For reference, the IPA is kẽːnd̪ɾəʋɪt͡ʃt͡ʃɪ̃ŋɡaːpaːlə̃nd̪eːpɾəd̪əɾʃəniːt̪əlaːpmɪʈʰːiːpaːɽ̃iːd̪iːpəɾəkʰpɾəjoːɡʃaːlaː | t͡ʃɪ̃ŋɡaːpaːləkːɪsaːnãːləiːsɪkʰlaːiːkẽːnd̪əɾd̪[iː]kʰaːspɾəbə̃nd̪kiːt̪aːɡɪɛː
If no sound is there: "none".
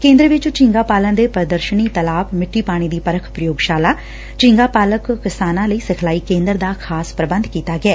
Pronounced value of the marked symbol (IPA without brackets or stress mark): aː